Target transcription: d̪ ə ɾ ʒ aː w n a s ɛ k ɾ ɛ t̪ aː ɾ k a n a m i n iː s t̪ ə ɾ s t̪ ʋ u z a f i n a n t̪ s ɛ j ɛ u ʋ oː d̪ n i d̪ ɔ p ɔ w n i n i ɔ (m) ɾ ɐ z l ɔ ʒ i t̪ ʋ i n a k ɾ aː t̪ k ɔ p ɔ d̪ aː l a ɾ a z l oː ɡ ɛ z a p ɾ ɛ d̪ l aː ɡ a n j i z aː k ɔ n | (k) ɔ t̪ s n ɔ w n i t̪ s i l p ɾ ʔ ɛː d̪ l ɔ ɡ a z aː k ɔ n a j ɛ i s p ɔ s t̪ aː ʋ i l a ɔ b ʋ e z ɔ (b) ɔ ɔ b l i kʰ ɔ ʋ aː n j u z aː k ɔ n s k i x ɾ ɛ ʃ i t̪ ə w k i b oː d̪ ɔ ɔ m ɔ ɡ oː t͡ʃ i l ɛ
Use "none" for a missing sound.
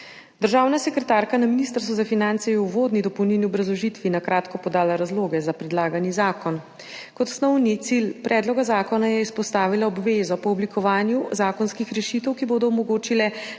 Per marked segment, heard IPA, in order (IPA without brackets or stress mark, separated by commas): b, k, p